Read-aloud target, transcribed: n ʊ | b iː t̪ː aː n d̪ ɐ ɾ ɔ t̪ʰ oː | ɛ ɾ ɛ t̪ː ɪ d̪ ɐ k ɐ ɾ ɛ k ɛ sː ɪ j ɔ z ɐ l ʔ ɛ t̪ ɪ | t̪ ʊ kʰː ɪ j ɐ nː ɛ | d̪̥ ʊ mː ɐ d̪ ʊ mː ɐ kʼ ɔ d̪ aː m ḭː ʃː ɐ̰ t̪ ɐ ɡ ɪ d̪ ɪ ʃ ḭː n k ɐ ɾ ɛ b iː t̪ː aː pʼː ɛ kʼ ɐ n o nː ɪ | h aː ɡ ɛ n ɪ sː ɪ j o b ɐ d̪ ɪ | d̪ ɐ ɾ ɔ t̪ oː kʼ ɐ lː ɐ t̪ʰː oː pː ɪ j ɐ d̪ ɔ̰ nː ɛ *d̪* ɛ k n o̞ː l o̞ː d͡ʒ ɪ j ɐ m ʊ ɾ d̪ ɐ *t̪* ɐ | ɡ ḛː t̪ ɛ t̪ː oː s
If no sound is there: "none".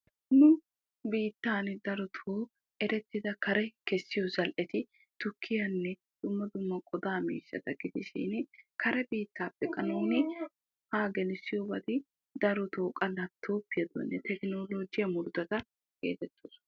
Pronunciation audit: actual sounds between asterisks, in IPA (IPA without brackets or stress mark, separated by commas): t̪, t̪